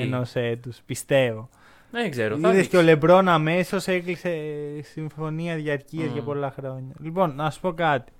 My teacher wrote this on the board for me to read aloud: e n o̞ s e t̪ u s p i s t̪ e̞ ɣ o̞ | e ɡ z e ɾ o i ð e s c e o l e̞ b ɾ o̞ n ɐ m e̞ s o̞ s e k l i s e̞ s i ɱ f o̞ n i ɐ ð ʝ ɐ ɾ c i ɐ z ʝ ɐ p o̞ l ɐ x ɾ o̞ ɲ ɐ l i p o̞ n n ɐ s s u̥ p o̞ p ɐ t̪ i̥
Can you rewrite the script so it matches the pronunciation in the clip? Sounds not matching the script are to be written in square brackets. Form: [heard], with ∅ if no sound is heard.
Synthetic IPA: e n o̞ s e t̪ u s p i s t̪ e̞ [v] o̞ | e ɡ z e ɾ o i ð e s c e o l e̞ b ɾ o̞ n ɐ m e̞ s o̞ s e k l i s e̞ s i ɱ f o̞ n i ɐ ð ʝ ɐ ɾ c i ɐ z ʝ ɐ p o̞ l ɐ x ɾ o̞ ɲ ɐ l i p o̞ n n ɐ s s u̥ p o̞ [k] ɐ t̪ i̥